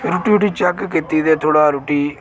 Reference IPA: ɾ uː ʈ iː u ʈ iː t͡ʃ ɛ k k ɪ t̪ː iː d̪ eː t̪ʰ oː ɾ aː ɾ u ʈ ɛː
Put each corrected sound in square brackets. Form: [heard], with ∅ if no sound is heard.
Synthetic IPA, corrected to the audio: ɾ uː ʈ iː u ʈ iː t͡ʃ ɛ k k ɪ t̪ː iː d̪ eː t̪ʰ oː [ɽ] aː ɾ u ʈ [iː]